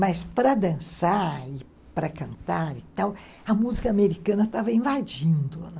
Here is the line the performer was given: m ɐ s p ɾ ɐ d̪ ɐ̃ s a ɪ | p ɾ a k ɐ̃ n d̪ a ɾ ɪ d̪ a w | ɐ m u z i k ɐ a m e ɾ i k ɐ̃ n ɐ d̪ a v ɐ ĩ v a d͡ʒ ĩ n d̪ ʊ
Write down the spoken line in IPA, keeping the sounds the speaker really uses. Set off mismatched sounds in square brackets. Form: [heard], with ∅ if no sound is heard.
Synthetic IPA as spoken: m ɐ s p ɾ ɐ d̪ ɐ̃ s a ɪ | p ɾ [ɐ] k ɐ̃ n [t̪] a ɾ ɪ [t̪] a w | ɐ m u z i k ɐ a m e ɾ i k ɐ̃ n ɐ [t̪] a v ɐ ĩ v a d͡ʒ ĩ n d̪ ʊ